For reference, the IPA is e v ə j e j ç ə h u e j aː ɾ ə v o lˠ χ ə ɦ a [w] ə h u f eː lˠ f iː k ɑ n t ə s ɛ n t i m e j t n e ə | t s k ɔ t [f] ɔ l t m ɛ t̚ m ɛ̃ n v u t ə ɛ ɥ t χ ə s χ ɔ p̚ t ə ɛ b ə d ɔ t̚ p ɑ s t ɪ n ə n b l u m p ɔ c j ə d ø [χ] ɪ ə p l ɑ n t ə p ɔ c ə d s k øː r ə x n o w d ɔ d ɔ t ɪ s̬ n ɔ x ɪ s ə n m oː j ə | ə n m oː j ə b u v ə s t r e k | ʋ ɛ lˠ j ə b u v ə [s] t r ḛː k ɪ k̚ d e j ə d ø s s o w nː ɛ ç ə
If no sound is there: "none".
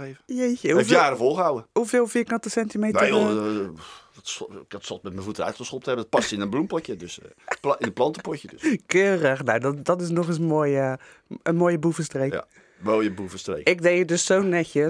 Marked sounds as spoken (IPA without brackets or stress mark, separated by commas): w, s, s, s